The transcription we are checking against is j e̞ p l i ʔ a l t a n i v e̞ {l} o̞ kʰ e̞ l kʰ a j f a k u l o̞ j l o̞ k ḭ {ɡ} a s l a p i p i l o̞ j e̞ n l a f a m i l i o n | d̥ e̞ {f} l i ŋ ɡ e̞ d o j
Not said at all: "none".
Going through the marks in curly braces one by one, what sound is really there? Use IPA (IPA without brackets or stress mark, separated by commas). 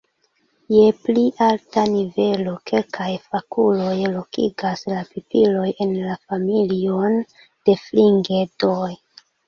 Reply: l, ɡ, f